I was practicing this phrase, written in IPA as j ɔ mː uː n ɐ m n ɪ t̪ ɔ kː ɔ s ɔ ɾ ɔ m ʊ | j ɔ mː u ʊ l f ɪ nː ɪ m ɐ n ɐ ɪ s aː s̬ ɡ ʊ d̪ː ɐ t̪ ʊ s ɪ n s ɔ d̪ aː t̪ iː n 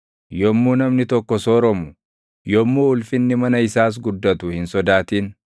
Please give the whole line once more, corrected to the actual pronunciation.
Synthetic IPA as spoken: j ɔ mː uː n ɐ m n ɪ t̪ ɔ kː ɔ s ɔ ɾ ɔ m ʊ | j ɔ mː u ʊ l f ɪ nː ɪ m ɐ n ɐ ɪ s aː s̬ ɡ ʊ d̪ː ɐ t̪ ʊ h ɪ n s ɔ d̪ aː t̪ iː n